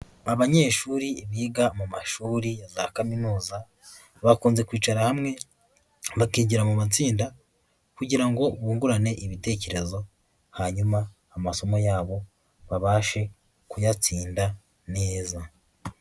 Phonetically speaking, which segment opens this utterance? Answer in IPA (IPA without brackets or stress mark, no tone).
a